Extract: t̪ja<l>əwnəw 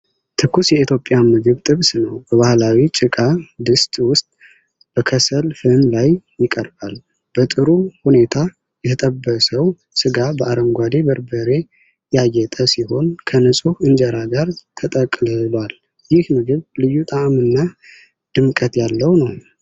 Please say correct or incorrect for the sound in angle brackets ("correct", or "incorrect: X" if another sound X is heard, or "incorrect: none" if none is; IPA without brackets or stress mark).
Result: incorrect: lː